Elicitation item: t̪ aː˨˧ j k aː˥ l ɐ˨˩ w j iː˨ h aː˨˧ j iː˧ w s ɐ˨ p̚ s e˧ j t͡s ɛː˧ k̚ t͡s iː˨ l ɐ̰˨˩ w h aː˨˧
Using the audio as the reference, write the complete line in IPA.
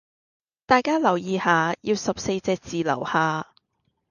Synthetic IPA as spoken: t̪ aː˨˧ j k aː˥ l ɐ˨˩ w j iː˨ h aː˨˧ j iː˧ w s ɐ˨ p̚ s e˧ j t͡s ɛː˧ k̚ t͡s iː˨ l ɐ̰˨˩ w h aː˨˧